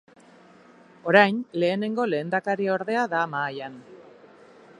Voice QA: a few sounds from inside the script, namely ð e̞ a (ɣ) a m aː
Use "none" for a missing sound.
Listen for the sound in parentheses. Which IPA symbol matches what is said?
ð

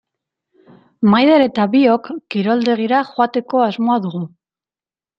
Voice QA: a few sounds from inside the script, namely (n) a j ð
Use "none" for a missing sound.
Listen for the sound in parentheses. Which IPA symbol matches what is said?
m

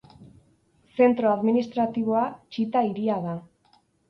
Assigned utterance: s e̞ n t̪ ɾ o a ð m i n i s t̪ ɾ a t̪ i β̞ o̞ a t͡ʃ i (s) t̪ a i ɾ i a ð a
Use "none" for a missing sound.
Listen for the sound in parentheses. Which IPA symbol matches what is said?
none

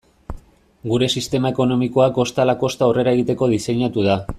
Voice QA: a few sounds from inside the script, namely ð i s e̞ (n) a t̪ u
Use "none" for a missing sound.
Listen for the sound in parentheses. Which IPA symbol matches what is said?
ɲ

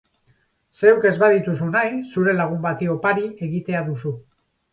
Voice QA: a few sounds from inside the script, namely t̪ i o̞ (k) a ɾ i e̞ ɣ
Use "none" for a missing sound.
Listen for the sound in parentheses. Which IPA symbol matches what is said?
p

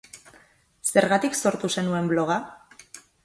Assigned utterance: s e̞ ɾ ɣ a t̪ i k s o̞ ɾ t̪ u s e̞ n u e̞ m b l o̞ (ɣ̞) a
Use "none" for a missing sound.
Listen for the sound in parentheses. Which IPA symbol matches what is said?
ɣ̞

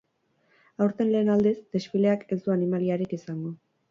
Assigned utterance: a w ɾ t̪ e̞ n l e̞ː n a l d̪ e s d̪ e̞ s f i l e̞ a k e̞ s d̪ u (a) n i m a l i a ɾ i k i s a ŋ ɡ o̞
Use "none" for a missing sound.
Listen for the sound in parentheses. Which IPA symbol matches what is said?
a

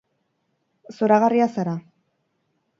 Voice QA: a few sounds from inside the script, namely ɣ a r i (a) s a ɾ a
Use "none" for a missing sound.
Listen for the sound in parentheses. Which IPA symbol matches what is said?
a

